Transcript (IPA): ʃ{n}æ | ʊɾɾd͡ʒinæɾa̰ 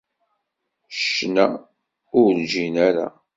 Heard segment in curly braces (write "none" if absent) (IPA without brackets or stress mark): n